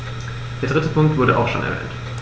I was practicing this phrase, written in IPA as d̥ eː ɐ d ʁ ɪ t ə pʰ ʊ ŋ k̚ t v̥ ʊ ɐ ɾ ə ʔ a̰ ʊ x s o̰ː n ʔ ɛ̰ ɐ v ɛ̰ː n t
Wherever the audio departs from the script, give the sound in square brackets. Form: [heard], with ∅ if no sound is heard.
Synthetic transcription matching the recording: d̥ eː ɐ d ʁ ɪ t ə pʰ ʊ ŋ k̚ t v̥ ʊ ɐ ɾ ə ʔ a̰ ʊ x [ʃ] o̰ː n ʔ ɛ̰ ɐ v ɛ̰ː n t